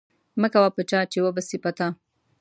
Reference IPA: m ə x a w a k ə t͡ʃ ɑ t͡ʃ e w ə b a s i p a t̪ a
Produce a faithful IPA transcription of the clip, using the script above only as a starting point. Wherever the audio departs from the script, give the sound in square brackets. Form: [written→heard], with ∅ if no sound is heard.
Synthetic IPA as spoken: m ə [x→k] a w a [k→p] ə t͡ʃ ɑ t͡ʃ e w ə b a s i p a t̪ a